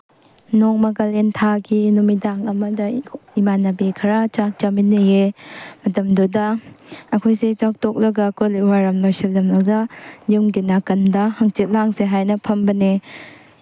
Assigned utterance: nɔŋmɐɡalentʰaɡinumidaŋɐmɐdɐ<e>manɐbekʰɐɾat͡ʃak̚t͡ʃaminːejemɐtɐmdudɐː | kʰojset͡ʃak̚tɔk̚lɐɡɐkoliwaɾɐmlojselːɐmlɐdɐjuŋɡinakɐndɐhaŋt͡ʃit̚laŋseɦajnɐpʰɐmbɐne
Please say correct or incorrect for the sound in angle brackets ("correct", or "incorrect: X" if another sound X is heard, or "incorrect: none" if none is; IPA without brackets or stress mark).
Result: incorrect: i